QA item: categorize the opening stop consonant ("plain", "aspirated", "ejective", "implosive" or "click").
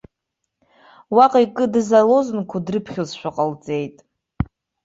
ejective